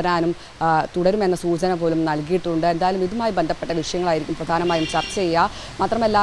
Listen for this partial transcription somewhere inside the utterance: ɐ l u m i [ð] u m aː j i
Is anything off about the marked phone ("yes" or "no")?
no